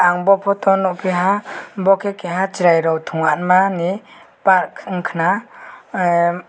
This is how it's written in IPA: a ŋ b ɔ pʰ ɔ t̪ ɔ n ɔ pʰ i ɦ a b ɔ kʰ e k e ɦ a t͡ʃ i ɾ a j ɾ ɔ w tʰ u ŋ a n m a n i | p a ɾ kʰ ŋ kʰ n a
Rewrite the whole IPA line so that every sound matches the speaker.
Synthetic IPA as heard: a ŋ b ɔ pʰ ɔ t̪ ɔ n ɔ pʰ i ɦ a b ɔ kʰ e k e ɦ a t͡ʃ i ɾ a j ɾ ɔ w tʰ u ŋ a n m a n i | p a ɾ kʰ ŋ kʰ n a